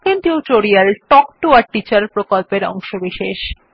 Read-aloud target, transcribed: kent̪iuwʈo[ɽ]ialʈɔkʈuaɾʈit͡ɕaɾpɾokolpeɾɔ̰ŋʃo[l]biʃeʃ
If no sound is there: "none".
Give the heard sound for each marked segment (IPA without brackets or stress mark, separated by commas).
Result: ɾ, none